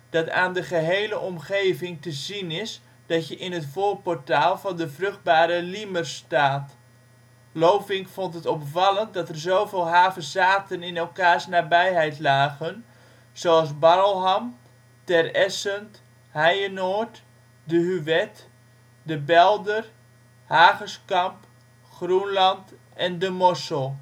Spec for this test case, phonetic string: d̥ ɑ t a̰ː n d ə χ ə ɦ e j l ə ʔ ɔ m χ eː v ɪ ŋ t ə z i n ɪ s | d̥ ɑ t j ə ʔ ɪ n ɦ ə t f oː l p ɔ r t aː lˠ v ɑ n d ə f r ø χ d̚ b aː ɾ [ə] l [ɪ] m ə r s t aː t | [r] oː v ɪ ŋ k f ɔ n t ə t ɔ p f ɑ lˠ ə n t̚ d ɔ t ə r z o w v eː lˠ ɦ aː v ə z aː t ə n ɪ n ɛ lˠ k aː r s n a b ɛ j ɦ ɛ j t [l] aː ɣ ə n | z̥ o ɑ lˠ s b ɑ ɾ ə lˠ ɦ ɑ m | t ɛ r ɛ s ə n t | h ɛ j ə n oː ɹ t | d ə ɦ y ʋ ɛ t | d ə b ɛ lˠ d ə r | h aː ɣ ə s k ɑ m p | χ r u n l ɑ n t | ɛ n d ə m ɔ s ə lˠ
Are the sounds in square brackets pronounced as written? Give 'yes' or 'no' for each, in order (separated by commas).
yes, no, no, yes